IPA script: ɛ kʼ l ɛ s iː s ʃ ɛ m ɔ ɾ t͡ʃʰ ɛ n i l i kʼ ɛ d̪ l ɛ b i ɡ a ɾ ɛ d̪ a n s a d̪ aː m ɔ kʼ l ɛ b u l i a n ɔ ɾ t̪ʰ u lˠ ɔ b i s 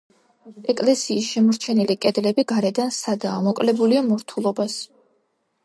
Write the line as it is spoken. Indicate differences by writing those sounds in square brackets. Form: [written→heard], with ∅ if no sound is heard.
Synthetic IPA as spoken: ɛ kʼ l ɛ s iː s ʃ ɛ m ɔ ɾ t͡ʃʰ ɛ n i l i kʼ ɛ d̪ l ɛ b i ɡ a ɾ ɛ d̪ a n s a d̪ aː m ɔ kʼ l ɛ b u l i a [n→m] ɔ ɾ t̪ʰ u lˠ ɔ b [i→a] s